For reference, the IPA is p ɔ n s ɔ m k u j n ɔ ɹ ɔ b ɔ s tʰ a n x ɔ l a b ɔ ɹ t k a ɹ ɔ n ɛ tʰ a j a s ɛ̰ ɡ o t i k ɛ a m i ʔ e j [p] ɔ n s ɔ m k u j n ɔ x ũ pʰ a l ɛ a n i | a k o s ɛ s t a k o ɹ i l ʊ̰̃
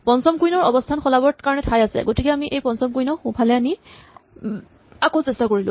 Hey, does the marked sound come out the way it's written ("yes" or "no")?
yes